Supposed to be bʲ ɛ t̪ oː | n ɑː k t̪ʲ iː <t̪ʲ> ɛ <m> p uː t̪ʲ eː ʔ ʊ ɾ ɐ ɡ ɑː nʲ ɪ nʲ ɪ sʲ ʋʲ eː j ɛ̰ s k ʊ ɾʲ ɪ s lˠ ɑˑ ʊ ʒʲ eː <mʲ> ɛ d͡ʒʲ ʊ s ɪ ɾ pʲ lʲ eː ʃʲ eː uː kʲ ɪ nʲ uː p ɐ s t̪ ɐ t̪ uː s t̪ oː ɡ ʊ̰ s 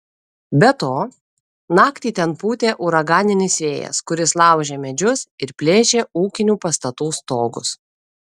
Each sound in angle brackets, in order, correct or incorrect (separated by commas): correct, incorrect, correct